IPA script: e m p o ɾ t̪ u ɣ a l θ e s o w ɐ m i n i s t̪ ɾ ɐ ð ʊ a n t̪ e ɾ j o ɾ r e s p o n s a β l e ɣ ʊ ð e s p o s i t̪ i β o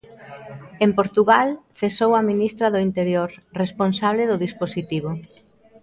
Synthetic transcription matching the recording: e m p o ɾ t̪ u ɣ a l θ e s o w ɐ m i n i s t̪ ɾ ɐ ð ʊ i n t̪ e ɾ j o ɾ r e s p o n s a β l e ð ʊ ð i s p o s i t̪ i β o